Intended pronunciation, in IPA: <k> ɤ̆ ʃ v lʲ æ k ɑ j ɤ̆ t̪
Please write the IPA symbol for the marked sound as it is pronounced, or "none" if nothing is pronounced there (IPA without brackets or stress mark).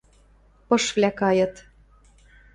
p